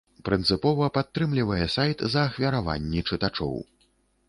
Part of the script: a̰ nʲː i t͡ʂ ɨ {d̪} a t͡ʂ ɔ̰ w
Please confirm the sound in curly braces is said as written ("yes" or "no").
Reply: no